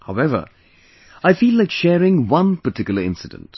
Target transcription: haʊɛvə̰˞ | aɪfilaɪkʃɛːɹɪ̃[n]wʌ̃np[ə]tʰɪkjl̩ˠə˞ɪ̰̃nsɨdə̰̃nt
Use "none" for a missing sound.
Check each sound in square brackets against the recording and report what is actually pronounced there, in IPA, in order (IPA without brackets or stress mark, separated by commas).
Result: ŋ, ə